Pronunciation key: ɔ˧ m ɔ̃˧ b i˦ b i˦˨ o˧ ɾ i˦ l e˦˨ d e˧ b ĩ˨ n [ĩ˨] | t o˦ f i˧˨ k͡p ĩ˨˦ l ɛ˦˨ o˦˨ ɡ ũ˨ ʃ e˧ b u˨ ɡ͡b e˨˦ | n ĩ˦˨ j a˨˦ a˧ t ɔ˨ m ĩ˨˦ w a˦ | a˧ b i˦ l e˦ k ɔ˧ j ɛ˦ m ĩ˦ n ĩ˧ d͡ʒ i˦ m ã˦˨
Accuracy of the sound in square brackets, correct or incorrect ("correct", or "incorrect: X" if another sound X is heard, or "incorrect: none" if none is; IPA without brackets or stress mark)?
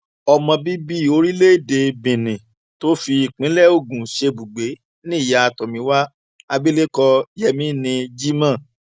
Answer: correct